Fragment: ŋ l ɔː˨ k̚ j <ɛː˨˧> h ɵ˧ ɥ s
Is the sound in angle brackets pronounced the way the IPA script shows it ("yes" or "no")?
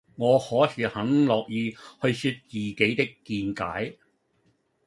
no